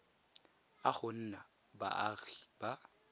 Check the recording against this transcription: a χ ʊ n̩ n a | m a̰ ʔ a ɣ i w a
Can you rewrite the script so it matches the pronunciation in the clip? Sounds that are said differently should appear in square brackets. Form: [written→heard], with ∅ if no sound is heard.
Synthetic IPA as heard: a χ ʊ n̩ n a | [m→b] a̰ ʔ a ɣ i [w→b] a